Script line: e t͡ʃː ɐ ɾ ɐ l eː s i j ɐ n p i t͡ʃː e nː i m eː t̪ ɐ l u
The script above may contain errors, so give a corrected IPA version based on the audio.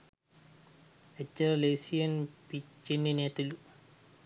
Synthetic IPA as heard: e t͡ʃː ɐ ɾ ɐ l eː s i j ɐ n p i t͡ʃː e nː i n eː t̪ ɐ l u